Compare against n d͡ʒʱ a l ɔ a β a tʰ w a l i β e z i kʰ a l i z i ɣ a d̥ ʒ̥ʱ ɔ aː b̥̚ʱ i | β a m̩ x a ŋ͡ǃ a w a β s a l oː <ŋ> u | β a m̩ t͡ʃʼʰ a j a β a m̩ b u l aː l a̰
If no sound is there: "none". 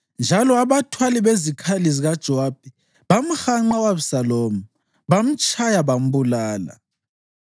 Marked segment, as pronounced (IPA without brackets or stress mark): m